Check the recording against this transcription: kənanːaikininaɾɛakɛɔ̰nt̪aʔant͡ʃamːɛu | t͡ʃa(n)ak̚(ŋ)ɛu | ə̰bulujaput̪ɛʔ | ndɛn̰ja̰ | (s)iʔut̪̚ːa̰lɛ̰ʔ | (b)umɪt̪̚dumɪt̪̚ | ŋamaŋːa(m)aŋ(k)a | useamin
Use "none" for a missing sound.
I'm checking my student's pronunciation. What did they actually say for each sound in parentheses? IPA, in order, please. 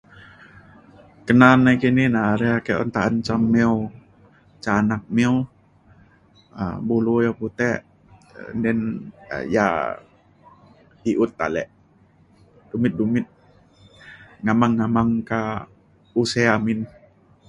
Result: n, m, h, d, m, k

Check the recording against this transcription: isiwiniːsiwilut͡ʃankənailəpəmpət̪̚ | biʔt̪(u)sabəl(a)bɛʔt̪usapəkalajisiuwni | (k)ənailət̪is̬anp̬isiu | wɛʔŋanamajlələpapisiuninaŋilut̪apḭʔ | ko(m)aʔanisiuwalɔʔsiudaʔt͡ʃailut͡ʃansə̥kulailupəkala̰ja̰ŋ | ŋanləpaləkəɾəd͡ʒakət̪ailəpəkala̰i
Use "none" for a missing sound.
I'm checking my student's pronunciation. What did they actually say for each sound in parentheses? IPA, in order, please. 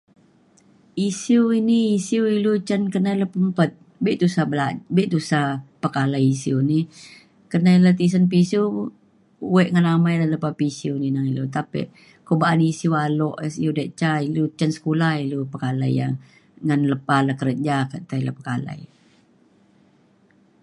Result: u, a, k, b

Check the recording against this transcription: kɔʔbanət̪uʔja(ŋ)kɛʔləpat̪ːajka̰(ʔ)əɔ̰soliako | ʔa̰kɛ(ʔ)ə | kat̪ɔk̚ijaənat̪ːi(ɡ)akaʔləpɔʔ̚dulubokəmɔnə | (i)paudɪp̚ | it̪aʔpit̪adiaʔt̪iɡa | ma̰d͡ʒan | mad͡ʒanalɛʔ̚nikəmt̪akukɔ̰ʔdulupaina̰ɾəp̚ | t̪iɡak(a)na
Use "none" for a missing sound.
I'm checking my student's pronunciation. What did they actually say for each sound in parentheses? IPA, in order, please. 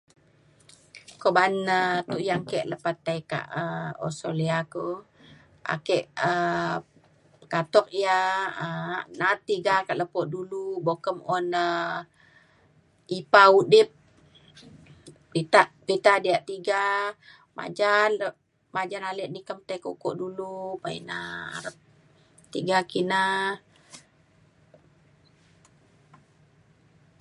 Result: ŋ, ʔ, ʔ, ɡ, i, i

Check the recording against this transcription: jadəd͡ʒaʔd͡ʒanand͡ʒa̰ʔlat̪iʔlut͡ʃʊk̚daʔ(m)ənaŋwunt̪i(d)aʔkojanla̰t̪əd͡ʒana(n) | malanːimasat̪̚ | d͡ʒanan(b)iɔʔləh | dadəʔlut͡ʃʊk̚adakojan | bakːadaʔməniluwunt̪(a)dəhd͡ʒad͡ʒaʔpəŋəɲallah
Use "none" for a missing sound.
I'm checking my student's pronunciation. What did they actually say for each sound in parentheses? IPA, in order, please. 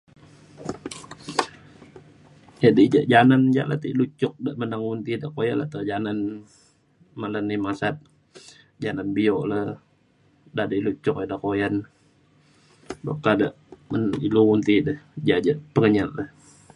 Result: m, d, n, b, i

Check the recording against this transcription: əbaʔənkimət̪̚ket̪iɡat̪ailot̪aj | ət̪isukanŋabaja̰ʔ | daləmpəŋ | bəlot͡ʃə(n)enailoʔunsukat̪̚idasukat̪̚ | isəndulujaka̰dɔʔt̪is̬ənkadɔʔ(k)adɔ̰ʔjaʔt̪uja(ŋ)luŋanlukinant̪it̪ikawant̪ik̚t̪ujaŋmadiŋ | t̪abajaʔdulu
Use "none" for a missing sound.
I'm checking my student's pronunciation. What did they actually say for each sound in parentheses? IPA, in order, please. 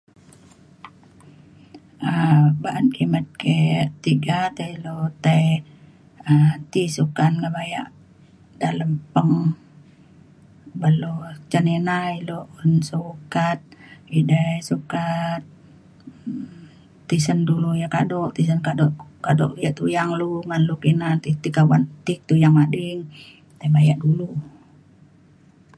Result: n, k, ŋ

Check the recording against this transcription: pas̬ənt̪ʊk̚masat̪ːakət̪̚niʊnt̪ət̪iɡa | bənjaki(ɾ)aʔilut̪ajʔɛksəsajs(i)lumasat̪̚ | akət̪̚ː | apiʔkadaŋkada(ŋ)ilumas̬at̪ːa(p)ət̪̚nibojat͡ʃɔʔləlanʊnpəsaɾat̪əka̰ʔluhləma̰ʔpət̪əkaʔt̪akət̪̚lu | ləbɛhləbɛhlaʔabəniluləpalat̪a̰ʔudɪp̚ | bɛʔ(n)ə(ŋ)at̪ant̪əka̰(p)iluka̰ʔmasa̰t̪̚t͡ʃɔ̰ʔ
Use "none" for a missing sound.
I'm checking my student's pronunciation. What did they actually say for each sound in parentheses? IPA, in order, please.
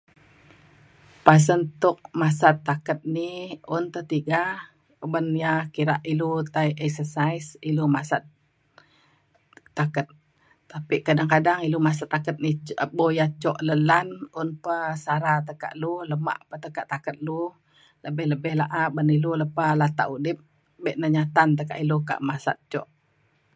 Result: ɾ, i, ŋ, k, n, ɲ, ʔ

